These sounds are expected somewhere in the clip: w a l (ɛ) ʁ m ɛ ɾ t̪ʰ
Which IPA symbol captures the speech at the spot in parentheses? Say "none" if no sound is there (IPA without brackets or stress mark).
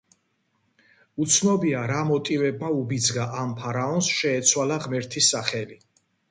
a